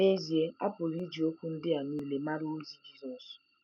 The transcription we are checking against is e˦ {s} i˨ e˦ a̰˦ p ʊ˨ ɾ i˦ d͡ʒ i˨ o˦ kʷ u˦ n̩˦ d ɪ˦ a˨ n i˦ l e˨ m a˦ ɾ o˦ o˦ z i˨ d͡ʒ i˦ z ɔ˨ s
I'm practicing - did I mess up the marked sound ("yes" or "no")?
yes